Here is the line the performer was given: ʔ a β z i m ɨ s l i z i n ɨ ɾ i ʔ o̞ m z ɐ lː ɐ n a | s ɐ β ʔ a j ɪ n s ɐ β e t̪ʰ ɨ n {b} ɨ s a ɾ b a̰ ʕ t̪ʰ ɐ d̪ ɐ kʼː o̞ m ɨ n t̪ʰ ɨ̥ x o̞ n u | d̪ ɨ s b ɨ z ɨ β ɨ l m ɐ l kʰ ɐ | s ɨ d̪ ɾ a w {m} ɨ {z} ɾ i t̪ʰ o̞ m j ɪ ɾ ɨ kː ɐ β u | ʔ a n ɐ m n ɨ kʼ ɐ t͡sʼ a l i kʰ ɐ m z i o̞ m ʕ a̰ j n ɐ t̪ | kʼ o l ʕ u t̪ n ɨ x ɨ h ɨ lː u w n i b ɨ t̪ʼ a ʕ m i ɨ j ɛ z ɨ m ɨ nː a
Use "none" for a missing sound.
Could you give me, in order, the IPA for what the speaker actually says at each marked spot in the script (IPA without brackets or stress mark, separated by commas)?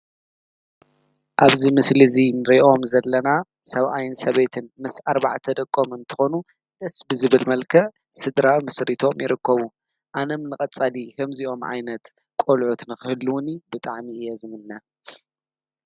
m, m, s